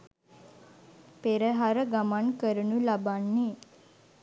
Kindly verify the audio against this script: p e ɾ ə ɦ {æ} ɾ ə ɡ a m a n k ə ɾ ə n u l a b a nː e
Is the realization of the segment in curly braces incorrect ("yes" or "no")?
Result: yes